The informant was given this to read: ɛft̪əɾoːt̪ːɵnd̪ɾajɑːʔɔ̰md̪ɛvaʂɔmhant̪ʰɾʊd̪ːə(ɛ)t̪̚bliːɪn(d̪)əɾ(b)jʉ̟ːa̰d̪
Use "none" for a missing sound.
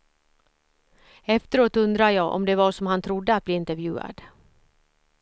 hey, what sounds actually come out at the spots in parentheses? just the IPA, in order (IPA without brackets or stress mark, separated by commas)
a, t̪, v